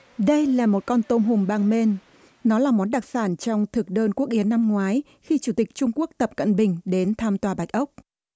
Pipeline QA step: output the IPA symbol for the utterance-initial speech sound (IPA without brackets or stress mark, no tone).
ɗ